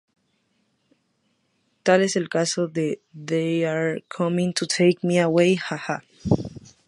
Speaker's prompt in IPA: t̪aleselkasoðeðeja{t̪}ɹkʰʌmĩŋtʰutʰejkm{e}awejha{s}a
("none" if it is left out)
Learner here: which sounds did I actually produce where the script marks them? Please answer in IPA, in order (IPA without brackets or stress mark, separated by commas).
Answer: none, i, h